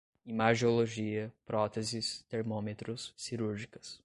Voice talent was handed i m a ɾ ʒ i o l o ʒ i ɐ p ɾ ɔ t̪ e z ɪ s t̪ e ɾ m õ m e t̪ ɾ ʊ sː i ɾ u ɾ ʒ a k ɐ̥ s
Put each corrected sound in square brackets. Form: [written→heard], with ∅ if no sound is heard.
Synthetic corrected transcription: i m a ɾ ʒ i o l o ʒ i ɐ p ɾ ɔ t̪ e z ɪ s t̪ e ɾ m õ m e t̪ ɾ ʊ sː i ɾ u ɾ ʒ [a→i] k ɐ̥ s